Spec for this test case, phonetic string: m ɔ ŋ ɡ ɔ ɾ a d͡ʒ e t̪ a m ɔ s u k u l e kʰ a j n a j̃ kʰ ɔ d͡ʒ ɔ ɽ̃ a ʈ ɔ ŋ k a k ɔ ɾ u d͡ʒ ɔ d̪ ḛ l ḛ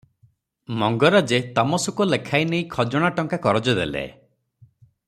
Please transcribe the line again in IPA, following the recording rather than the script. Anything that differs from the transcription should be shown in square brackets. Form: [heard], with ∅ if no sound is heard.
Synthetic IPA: m ɔ ŋ ɡ ɔ ɾ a d͡ʒ e t̪ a m ɔ s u k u l e kʰ a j n [e] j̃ kʰ ɔ d͡ʒ ɔ ɽ̃ a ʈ ɔ ŋ k a k ɔ ɾ [ɔ] d͡ʒ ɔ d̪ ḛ l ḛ